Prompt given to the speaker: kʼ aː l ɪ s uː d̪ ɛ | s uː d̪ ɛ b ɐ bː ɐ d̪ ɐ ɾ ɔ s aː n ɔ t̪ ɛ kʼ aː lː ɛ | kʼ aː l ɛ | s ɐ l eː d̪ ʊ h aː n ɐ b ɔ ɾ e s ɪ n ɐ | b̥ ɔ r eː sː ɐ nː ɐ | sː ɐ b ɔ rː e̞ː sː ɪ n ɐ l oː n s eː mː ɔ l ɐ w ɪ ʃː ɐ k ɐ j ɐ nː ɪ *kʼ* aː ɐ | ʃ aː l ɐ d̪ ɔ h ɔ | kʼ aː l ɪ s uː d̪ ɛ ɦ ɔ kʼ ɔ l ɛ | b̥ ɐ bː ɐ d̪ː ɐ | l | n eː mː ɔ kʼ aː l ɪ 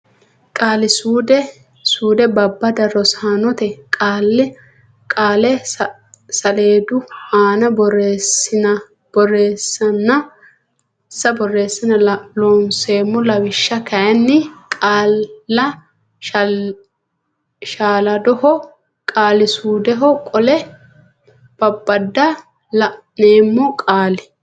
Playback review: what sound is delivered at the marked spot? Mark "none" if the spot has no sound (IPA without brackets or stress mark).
kʼ